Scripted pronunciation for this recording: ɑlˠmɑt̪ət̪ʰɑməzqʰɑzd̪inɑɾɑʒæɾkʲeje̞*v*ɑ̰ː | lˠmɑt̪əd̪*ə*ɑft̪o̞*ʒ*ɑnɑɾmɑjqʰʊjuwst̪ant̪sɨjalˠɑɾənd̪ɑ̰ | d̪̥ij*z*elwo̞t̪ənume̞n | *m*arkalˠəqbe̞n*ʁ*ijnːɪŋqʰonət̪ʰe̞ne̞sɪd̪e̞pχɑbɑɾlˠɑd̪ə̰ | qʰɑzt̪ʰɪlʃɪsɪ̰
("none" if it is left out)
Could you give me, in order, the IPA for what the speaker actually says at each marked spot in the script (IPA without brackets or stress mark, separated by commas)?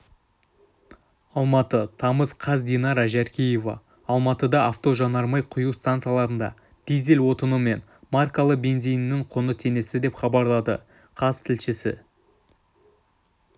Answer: v, ɑ, ʒ, z, m, z